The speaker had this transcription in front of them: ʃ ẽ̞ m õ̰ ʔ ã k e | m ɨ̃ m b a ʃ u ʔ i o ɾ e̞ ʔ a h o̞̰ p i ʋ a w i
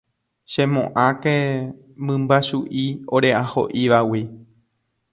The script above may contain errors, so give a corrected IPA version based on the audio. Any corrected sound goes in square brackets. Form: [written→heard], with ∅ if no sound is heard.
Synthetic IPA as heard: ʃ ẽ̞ m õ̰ ʔ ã k e | m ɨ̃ m b a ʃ u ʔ i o ɾ e̞ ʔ a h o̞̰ [p→ʔ] i ʋ a w i